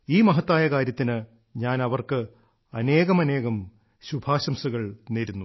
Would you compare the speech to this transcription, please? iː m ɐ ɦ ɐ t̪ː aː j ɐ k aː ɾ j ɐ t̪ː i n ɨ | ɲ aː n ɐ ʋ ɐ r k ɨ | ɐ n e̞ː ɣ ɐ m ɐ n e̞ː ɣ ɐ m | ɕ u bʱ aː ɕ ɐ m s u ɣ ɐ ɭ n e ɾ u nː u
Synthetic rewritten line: iː m ɐ ɦ ɐ t̪ː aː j ɐ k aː ɾ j ɐ t̪ː i n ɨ | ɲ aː n ɐ ʋ ɐ r k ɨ | ɐ n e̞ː ɣ ɐ m ɐ n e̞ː ɣ ɐ m | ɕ u bʱ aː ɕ ɐ m s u ɣ ɐ ɭ n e ɾ u nː u